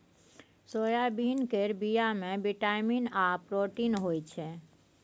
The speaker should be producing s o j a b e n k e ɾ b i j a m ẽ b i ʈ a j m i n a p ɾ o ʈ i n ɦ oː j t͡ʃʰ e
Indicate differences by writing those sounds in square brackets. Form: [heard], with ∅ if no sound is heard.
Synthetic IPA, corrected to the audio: s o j a b [i] n k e ɾ b i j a m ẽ b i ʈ a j m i n a p ɾ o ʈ i n ɦ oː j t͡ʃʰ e